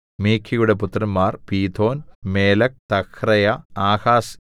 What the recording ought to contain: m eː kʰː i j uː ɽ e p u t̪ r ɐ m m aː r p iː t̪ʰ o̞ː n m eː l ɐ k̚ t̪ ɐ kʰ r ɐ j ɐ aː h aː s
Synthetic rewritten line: m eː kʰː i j u ɽ e p u t̪ r ɐ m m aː r p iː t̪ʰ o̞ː n m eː l ɐ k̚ t̪ ɐ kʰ r ɐ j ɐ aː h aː s